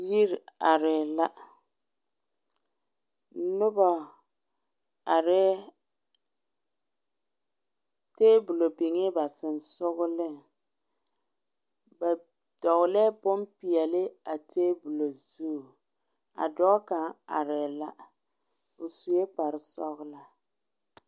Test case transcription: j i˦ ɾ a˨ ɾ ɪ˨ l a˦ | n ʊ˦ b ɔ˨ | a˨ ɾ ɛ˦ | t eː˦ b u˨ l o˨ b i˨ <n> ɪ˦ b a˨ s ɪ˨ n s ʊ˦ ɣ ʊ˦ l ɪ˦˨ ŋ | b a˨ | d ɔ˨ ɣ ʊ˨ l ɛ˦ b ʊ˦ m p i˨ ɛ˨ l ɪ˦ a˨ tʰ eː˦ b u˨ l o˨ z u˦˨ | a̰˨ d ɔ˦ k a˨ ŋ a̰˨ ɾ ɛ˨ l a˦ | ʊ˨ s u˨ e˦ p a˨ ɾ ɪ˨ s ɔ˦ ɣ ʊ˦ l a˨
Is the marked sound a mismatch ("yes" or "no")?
yes